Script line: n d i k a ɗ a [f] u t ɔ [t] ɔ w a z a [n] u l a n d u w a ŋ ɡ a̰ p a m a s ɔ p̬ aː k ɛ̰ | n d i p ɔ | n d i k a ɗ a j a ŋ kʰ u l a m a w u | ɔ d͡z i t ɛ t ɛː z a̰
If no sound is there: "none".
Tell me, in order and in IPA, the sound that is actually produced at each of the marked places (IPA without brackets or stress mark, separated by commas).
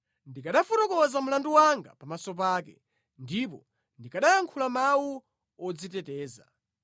f, k, m